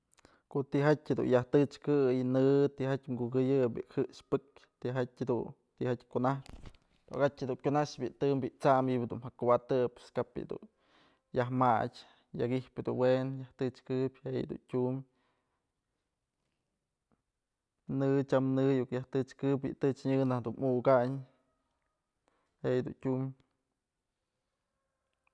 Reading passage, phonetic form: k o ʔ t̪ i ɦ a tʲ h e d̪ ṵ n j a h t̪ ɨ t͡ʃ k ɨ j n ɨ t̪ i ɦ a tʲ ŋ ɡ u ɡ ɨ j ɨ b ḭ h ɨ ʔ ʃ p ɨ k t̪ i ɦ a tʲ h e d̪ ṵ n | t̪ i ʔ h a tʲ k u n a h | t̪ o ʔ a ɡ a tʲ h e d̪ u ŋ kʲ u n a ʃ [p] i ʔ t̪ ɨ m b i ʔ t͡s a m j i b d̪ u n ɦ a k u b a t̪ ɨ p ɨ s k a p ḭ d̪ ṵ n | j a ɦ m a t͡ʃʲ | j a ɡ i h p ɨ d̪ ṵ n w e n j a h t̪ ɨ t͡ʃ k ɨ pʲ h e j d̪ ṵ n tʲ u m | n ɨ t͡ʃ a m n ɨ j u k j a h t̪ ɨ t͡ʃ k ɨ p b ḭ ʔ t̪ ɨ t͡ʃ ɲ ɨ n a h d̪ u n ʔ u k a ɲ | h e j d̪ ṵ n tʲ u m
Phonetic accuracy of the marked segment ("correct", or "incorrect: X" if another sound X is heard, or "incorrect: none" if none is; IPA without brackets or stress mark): incorrect: b